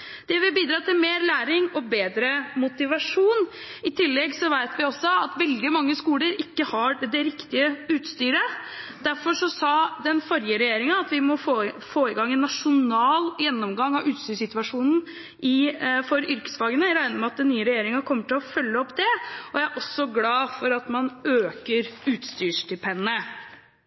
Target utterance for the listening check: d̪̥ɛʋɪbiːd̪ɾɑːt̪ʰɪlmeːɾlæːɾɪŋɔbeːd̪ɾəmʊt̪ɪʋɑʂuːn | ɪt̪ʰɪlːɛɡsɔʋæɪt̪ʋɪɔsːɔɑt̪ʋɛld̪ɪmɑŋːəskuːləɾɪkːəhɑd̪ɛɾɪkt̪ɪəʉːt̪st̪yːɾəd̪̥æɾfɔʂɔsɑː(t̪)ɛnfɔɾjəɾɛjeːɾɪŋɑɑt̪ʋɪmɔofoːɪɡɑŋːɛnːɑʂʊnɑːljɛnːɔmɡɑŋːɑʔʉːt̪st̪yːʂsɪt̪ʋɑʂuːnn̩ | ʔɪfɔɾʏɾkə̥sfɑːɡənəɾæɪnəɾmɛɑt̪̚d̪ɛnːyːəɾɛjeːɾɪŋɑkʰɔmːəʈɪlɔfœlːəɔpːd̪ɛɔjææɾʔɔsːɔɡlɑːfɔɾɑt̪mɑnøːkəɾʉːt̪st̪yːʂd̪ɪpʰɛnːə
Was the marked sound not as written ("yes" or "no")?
yes